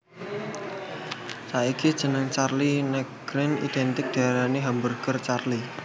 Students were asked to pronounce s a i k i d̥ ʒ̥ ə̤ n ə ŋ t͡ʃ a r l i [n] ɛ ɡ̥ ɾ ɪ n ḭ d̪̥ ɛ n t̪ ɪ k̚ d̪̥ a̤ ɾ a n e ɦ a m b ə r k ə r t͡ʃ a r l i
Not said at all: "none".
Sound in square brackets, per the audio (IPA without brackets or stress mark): n